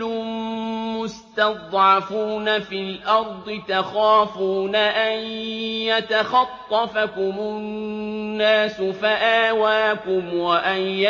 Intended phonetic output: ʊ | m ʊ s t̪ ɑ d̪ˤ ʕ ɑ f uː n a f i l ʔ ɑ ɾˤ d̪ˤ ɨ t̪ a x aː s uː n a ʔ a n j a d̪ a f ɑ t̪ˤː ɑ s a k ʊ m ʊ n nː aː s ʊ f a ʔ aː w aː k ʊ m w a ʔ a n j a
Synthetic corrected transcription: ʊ | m ʊ s t̪ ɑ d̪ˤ ʕ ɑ f uː n a f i l ʔ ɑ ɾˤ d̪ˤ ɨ t̪ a x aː f uː n a ʔ a n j a t̪ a x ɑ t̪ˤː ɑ f a k ʊ m ʊ n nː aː s ʊ f a ʔ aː w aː k ʊ m w a ʔ a n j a